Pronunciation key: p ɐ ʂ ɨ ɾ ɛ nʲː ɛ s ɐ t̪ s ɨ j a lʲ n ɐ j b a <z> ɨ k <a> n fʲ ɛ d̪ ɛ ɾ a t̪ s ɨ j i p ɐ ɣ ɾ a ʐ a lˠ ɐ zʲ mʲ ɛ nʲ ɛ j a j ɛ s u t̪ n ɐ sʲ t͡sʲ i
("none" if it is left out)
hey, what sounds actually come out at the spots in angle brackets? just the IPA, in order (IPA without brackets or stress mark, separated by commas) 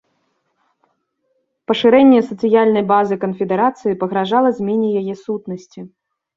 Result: z, ɐ